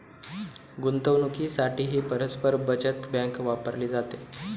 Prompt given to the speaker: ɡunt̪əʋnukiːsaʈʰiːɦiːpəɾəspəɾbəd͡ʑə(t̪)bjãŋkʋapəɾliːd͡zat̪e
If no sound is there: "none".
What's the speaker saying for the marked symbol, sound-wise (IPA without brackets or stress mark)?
t̪